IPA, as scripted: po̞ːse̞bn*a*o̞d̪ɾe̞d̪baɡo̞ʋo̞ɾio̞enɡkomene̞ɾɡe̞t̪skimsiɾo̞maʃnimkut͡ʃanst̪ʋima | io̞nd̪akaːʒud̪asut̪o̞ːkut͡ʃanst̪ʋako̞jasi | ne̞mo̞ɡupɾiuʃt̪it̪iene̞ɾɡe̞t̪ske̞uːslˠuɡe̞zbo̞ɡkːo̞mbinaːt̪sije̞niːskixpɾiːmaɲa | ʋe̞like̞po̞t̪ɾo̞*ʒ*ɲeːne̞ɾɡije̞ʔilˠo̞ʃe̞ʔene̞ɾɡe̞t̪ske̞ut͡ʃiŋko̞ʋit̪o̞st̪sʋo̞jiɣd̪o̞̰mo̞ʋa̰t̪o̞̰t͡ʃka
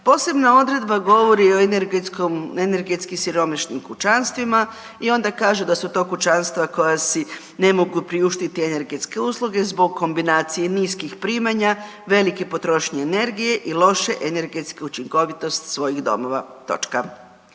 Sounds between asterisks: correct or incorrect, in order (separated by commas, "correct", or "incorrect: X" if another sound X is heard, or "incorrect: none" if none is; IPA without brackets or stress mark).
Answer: correct, incorrect: ʃ